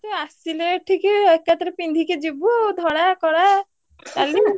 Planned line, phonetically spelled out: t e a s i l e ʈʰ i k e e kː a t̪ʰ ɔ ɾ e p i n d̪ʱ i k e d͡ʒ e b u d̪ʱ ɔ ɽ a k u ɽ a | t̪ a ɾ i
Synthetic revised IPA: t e a s i l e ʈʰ i k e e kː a t̪ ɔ ɾ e p i n d̪ʱ i k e d͡ʒ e b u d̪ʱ ɔ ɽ a k ɔ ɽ a | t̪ a l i